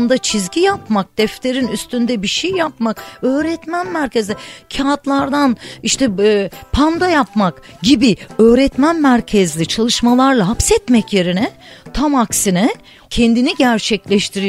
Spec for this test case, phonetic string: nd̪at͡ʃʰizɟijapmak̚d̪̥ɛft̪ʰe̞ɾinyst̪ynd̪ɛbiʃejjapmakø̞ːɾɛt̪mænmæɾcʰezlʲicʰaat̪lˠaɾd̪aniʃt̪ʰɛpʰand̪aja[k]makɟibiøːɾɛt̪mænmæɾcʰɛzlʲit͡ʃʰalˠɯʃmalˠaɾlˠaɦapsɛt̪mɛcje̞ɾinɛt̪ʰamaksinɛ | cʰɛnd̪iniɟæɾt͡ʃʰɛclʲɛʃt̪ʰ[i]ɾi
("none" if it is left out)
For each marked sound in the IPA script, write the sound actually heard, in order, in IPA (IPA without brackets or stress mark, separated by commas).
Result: p, i